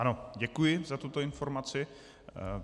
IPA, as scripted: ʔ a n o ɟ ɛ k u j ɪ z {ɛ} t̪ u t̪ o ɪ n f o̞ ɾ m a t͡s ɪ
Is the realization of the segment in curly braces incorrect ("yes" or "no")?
yes